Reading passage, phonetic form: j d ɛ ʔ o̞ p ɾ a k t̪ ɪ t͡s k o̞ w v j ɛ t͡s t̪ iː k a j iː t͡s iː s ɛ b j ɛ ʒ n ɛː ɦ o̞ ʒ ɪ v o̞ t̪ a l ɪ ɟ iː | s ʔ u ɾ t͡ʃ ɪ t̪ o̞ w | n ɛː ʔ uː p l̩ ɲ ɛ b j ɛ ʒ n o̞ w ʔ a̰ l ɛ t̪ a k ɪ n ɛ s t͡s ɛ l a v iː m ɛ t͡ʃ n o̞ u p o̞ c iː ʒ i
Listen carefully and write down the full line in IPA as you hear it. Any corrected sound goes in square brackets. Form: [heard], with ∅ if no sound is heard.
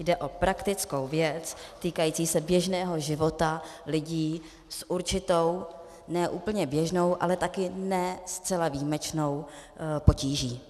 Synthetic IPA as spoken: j d ɛ ʔ o̞ p ɾ a k t̪ ɪ t͡s k o̞ w v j ɛ t͡s t̪ iː k a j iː t͡s iː s ɛ b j ɛ ʒ n ɛː ɦ o̞ ʒ ɪ v o̞ t̪ a l ɪ ɟ iː | s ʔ u ɾ t͡ʃ ɪ t̪ o̞ w | n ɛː ʔ uː p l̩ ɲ ɛ b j ɛ ʒ n o̞ w ʔ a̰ l ɛ t̪ a k ɪ n ɛ s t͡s ɛ l a v iː m ɛ t͡ʃ n o̞ [w] p o̞ c iː ʒ [iː]

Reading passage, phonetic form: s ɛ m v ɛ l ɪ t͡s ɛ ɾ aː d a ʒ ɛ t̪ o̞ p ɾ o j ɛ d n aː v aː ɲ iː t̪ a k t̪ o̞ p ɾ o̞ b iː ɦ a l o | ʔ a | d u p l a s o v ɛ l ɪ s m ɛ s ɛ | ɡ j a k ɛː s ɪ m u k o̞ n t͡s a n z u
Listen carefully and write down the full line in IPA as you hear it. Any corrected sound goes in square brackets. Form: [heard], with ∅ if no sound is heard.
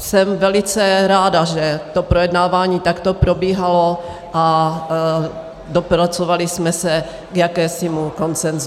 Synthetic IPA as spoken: s ɛ m v ɛ l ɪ t͡s ɛ ɾ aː d a ʒ ɛ t̪ o̞ p ɾ o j ɛ d n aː v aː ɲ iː t̪ a k t̪ o̞ p ɾ o̞ b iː ɦ a l o | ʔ a | d [o] p [ɾ] a [t͡s] o v [a] l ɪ s m ɛ s ɛ | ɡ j a k ɛː s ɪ m u k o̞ n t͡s [ɛ] n z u

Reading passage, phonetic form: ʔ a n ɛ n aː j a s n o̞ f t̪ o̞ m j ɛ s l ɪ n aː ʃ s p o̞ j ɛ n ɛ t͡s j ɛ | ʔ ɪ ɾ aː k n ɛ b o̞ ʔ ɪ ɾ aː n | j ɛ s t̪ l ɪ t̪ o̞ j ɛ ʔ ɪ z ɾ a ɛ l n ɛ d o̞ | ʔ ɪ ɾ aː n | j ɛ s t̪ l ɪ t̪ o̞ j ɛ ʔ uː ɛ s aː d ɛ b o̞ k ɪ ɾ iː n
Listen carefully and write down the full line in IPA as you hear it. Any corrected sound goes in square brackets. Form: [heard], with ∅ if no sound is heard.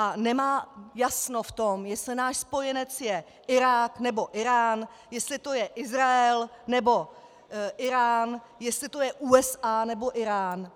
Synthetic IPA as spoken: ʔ a n ɛ [m] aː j a s n o̞ f t̪ o̞ m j ɛ s l ɪ n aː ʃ s p o̞ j ɛ n ɛ t͡s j ɛ | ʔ ɪ ɾ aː k n ɛ b o̞ ʔ ɪ ɾ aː n | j ɛ s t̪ l ɪ t̪ o̞ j ɛ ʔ ɪ z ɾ a ɛ l n ɛ [b] o̞ | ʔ ɪ ɾ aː n | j ɛ s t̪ l ɪ t̪ o̞ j ɛ ʔ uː ɛ s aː [n] ɛ b o̞ [ʔ] ɪ ɾ [aː] n

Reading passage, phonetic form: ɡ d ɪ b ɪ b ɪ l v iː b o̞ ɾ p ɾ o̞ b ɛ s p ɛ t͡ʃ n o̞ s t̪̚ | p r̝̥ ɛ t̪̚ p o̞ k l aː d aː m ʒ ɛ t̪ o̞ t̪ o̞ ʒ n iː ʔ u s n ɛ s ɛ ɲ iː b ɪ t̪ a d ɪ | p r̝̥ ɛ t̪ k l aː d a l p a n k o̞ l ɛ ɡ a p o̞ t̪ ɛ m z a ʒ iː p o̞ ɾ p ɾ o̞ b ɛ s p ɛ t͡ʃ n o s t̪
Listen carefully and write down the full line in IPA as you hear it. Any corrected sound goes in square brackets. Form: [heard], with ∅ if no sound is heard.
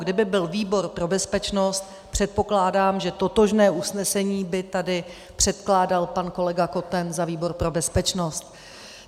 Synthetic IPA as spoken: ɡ d ɪ b ɪ b ɪ l v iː b o̞ ɾ p ɾ o̞ b ɛ s p ɛ t͡ʃ n o̞ s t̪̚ | p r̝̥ ɛ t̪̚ p o̞ k l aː d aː m ʒ ɛ t̪ o̞ t̪ o̞ ʒ n [ɛː] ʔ u s n ɛ s ɛ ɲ iː b ɪ t̪ a d ɪ | p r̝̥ ɛ t̪ k l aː d a l p a n k o̞ l ɛ ɡ a [k] o̞ t̪ ɛ [n] z a [v] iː [b] o̞ ɾ p ɾ o̞ b ɛ s p ɛ t͡ʃ n o s t̪

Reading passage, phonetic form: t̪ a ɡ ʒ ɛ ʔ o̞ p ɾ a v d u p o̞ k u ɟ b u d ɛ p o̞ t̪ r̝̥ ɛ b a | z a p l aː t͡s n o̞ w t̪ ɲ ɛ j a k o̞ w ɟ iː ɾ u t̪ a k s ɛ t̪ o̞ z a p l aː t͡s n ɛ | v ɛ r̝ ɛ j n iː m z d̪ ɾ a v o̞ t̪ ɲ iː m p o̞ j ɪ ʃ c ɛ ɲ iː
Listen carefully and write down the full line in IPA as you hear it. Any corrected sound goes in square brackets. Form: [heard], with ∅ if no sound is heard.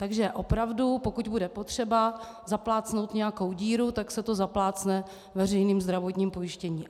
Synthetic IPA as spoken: t̪ a ɡ ʒ ɛ ʔ o̞ p ɾ a v d u p o̞ k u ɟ b u d ɛ p o̞ t̪ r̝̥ ɛ b a | z a p l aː t͡s n o̞ w t̪ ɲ ɛ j a k o̞ w ɟ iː ɾ u t̪ a k s ɛ t̪ o̞ z a p l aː t͡s n ɛ | v ɛ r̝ ɛ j n iː m z d̪ ɾ a v o̞ t̪ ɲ iː m p o̞ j ɪ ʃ c ɛ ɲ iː

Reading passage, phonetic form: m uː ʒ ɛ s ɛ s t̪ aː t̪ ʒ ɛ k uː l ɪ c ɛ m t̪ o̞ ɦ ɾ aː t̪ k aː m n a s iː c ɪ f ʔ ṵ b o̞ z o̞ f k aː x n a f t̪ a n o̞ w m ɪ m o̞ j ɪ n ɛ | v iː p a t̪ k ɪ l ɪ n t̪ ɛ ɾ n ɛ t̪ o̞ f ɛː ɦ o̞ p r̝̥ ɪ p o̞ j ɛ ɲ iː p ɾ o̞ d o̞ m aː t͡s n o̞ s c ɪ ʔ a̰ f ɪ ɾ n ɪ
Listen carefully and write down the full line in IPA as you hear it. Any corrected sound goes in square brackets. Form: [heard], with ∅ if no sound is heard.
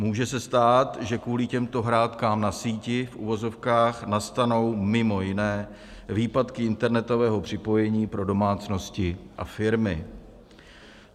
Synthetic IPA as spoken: m uː ʒ ɛ s ɛ s t̪ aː t̪ ʒ ɛ k uː l ɪ c ɛ m t̪ o̞ ɦ ɾ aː t̪ k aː m n a s iː c ɪ f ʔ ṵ [v] o̞ z o̞ f k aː x n a [s] t̪ a n o̞ w m ɪ m o̞ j ɪ n [ɛː] | v iː p a t̪ k ɪ [∅] ɪ n t̪ ɛ ɾ n ɛ t̪ o̞ [v] ɛː ɦ o̞ p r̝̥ ɪ p o̞ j ɛ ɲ iː p ɾ o̞ d o̞ m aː t͡s n o̞ s c ɪ ʔ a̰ f ɪ ɾ [m] ɪ

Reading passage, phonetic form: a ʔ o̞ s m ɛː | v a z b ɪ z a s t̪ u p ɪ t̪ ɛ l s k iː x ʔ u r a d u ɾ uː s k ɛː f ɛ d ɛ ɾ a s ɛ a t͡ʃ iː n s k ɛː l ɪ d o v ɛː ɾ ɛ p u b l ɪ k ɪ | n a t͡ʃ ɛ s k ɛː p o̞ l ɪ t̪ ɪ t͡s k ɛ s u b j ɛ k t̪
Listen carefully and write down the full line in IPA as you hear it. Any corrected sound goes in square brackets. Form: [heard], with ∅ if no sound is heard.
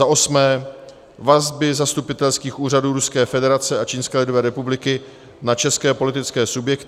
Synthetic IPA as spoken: a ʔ o̞ s m ɛː | v a z b ɪ z a s t̪ u p ɪ t̪ ɛ l s k iː x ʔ [uː] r a d [uː] ɾ [u] s k ɛː f ɛ d ɛ ɾ a [t͡s] ɛ a t͡ʃ iː n s k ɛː l ɪ d o v ɛː ɾ ɛ p u b l ɪ k ɪ | n a t͡ʃ ɛ s k ɛː p o̞ l ɪ t̪ ɪ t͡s k [ɛː] s u b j ɛ k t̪

